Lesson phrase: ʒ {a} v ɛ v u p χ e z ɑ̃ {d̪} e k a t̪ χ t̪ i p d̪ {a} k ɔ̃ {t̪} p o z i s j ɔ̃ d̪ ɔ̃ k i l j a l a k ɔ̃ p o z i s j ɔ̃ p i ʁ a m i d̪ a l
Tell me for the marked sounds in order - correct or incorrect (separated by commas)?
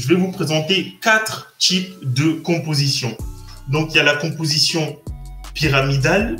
incorrect, incorrect, incorrect, incorrect